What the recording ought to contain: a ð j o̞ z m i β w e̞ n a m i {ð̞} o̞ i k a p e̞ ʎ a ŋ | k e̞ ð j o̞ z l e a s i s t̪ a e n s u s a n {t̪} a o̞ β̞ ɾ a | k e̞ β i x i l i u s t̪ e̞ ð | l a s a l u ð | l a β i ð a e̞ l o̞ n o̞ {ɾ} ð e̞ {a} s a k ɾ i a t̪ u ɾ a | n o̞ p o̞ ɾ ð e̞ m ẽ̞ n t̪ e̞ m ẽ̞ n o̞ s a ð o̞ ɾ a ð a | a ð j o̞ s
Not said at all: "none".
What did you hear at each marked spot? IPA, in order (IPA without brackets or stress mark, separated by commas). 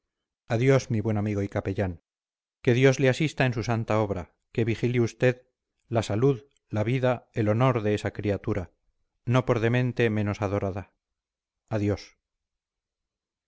ɣ̞, t̪, ɾ, e